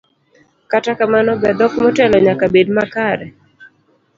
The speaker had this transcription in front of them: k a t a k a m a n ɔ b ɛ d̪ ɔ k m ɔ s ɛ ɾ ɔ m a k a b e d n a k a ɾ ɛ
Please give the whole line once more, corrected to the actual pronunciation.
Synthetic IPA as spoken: k a t a k a m a n ɔ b ɛ d̪ ɔ k m ɔ t ɛ l ɔ ɲ a k a b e d m a k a ɾ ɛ